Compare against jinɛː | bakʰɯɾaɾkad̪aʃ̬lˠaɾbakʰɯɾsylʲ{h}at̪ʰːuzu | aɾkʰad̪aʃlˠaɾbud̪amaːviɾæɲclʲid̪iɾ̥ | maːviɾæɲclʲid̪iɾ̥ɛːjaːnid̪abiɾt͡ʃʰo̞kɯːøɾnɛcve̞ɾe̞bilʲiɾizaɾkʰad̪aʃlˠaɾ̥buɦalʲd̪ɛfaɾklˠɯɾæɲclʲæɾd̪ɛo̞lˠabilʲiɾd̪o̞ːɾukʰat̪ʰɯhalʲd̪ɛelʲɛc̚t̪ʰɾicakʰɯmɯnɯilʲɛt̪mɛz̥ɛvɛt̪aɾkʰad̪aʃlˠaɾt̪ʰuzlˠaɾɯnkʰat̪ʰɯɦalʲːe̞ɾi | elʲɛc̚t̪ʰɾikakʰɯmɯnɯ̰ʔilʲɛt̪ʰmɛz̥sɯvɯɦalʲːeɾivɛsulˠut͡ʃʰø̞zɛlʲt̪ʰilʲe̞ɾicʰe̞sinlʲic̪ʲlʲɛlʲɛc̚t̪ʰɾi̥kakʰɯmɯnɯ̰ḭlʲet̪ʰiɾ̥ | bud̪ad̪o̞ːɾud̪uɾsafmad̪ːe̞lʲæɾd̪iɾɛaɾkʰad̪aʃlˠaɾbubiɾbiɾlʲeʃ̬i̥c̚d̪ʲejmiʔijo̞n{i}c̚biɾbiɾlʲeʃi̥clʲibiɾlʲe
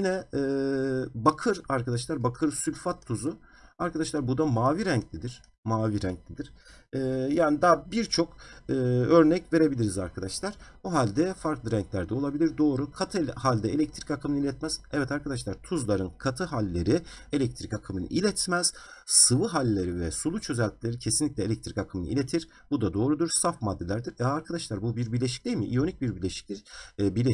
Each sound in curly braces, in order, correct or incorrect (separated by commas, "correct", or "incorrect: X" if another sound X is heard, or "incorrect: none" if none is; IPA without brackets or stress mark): incorrect: f, correct